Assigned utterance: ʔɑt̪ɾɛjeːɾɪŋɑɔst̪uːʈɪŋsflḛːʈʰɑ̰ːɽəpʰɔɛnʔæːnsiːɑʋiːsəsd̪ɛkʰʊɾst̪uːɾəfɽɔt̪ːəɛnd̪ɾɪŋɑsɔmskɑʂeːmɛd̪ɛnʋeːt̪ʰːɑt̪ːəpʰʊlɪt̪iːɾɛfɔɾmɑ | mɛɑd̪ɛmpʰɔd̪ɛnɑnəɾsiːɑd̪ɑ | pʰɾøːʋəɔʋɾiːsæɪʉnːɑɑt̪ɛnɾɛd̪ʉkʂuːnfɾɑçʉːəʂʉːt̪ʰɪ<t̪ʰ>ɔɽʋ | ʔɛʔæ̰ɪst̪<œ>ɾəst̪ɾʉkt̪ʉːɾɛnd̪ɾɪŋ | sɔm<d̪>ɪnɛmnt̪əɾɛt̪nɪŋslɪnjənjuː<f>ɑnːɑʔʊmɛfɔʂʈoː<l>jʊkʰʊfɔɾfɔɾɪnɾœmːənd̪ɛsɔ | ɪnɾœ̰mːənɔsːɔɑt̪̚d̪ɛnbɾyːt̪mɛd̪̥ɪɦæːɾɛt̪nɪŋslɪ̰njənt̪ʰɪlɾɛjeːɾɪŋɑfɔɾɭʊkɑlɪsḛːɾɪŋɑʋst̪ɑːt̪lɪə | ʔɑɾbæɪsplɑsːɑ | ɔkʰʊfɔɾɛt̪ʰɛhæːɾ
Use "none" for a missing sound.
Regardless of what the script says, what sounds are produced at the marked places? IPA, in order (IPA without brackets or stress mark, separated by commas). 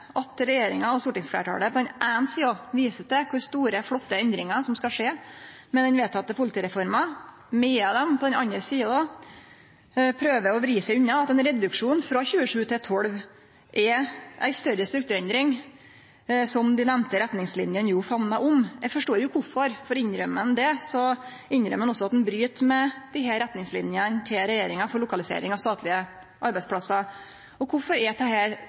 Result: t̪ʰ, œ, d̪, f, ɾ